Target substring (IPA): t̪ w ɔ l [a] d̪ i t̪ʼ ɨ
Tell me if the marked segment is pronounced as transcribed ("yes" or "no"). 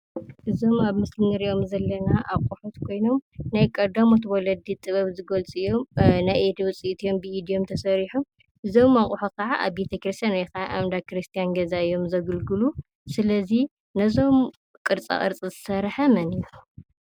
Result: no